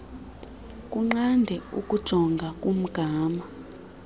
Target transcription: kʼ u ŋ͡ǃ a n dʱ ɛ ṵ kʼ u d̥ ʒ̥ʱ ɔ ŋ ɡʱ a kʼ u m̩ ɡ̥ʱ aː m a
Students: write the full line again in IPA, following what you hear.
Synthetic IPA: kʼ u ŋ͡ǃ a n dʱ ɛ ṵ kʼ u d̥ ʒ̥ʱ ɔ ŋ ɡʱ a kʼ u m̩ ɡ̥ʱ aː m a